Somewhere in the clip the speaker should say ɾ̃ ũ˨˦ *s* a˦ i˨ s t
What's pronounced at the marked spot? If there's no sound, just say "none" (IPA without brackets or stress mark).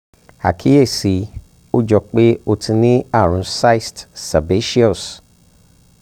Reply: s